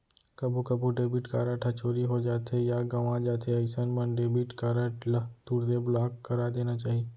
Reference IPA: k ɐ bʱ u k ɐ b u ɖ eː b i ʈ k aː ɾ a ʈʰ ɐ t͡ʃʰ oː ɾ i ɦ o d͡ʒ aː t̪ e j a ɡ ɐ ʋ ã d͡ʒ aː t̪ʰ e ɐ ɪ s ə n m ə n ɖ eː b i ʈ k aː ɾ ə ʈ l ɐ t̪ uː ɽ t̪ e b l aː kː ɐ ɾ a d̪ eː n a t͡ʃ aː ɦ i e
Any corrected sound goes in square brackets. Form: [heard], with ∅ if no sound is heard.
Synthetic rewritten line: k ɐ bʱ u k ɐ b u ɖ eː b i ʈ k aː ɾ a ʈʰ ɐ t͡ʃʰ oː ɾ i ɦ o d͡ʒ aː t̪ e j a ɡ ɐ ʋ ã d͡ʒ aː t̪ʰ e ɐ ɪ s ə n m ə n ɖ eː b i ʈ k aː ɾ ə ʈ l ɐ t̪ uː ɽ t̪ e b l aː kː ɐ ɾ a d̪ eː n a t͡ʃ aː ɦ i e

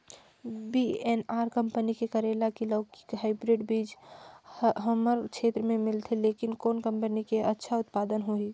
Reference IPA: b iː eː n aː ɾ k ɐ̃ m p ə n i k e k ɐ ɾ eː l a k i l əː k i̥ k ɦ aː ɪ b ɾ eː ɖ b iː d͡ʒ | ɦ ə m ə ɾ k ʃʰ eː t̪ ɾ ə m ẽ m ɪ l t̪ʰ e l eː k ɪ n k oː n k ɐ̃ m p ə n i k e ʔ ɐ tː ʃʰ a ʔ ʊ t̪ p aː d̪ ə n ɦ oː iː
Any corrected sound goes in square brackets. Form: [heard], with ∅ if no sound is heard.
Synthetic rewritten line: b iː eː n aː ɾ k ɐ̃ m p ə n i k e k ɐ ɾ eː l a k i l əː k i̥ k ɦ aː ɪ b ɾ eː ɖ b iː d͡ʒ | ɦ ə m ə ɾ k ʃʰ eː t̪ ɾ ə m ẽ m ɪ l t̪ʰ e l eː k ɪ n k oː n k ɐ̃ m p ə n i k e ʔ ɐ tː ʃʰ a [∅] ʊ t̪ p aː d̪ ə n ɦ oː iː

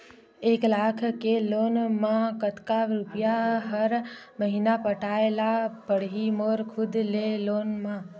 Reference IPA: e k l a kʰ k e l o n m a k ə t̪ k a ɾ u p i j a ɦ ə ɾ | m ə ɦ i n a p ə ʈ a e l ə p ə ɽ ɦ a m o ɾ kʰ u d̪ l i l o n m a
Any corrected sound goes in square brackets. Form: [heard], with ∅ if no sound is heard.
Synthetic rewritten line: e k l a kʰ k e l o n m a k ə t̪ k a ɾ u p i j a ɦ ə ɾ | m ə ɦ i n a p ə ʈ a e l [a] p ə ɽ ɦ [i] m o ɾ kʰ u d̪ l [e] l o n m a

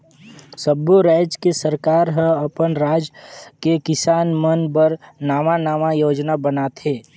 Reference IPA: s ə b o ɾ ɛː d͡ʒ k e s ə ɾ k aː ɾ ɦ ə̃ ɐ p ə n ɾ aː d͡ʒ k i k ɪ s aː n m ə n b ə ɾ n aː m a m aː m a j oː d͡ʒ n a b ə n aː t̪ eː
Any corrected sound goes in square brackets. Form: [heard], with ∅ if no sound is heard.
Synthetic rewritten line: s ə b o ɾ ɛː d͡ʒ k e s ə ɾ k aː ɾ ɦ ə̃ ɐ p ə n ɾ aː d͡ʒ k [e] k ɪ s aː n m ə n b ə ɾ n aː m a [n] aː m a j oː d͡ʒ n a b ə n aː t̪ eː

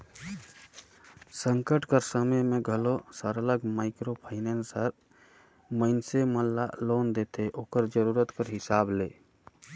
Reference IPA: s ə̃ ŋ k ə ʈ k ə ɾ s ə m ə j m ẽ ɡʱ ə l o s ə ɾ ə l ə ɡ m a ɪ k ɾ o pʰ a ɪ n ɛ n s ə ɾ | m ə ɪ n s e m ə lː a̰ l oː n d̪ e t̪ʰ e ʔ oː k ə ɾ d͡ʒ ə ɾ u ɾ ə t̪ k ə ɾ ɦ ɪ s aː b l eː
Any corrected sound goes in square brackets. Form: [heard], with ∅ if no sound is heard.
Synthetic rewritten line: s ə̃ ŋ k ə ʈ k ə ɾ s ə m ə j m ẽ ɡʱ ə l o s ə ɾ ə l ə ɡ m a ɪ k ɾ o pʰ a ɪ n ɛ n s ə ɾ | m ə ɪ n s e m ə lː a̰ l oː n d̪ e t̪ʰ e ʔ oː k ə ɾ d͡ʒ ə ɾ u ɾ ə t̪ k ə ɾ ɦ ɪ s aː b l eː

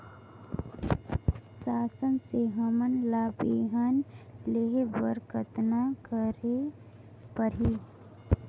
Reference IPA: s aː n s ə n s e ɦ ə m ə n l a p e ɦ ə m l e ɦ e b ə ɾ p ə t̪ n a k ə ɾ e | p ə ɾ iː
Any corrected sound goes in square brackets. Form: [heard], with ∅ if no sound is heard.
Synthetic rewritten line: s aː [∅] s ə n s e ɦ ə m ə n l a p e ɦ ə [n] l e ɦ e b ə ɾ [k] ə t̪ n a k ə ɾ e | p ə ɾ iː

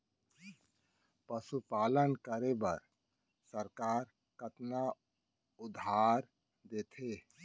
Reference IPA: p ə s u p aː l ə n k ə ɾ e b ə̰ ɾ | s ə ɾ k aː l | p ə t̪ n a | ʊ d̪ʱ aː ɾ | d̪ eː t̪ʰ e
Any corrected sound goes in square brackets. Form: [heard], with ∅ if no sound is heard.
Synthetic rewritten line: p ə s u p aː l ə n k ə ɾ e b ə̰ ɾ | s ə ɾ k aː [ɾ] | [k] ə t̪ n a | ʊ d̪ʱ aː ɾ | d̪ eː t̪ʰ e

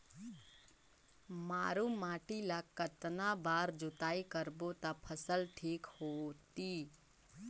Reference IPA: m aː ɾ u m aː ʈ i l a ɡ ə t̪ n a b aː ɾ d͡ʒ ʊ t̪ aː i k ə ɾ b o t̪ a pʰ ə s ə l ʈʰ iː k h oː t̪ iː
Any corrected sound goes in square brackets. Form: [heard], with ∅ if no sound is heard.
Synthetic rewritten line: m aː ɾ u m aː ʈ i l a [k] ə t̪ n a b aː ɾ d͡ʒ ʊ t̪ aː i k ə ɾ b o t̪ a pʰ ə s ə l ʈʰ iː k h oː t̪ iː

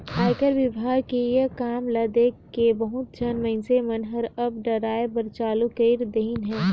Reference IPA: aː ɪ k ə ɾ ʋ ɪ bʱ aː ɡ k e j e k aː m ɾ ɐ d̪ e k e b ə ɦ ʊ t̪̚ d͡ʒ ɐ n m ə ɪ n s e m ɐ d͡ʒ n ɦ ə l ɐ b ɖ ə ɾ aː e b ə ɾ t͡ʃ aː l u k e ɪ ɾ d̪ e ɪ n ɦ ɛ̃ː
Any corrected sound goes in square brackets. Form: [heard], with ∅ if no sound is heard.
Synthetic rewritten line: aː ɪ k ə ɾ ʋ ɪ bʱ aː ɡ k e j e k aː m [l] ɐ d̪ e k e b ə ɦ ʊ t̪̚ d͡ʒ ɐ n m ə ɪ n s e m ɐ [∅] n ɦ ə [ɾ] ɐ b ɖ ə ɾ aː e b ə ɾ t͡ʃ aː l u k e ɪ ɾ d̪ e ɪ n ɦ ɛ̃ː

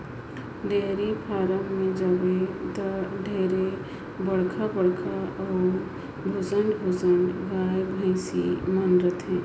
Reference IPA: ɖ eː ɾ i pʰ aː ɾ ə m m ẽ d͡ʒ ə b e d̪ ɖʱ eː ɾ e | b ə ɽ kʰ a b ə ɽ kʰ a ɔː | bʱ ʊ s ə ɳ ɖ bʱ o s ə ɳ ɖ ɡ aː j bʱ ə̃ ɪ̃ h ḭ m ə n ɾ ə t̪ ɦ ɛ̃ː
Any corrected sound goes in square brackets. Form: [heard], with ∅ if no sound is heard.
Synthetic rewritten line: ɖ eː ɾ i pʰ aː ɾ ə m m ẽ d͡ʒ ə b e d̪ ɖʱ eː ɾ e | b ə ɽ kʰ a b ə ɽ kʰ a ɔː | bʱ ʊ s ə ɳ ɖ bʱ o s ə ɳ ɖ ɡ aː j bʱ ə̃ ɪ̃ [s] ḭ m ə n ɾ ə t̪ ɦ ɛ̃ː

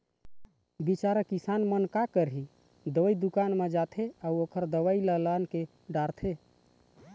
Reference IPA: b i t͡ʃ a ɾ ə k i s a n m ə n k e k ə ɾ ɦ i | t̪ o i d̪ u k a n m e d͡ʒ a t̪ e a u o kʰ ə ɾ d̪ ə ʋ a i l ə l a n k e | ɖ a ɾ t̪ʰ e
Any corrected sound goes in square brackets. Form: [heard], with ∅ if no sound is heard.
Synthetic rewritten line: b i t͡ʃ a ɾ ə k i s a n m ə n k [a] k ə ɾ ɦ i | [d̪] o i d̪ u k a n m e d͡ʒ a [t̪ʰ] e a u o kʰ ə ɾ d̪ ə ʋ a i l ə l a n k e | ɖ a ɾ t̪ʰ e

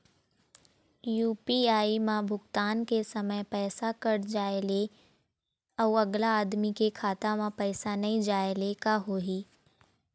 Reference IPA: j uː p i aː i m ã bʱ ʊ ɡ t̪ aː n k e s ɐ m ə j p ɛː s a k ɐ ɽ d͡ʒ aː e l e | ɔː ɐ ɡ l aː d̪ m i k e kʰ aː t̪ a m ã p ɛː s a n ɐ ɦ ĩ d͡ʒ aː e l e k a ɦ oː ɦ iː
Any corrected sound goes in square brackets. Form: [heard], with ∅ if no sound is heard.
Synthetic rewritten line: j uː p i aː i m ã bʱ ʊ ɡ t̪ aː n k e s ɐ m ə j p ɛː s a k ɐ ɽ d͡ʒ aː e l e | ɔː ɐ ɡ l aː d̪ m i k e kʰ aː t̪ a m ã p ɛː s a n ɐ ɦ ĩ d͡ʒ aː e l e k a ɦ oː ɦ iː

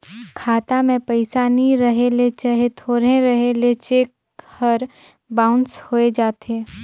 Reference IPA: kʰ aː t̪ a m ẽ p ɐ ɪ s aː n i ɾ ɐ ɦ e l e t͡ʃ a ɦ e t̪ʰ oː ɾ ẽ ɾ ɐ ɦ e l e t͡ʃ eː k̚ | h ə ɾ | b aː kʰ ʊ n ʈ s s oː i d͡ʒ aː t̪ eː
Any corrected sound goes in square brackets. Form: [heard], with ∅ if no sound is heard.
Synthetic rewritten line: kʰ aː t̪ a m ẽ p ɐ ɪ s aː n i ɾ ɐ ɦ e l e t͡ʃ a ɦ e t̪ʰ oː ɾ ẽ ɾ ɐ ɦ e l e t͡ʃ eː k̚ | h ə ɾ | b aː [∅] ʊ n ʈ s [h] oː [e] d͡ʒ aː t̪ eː

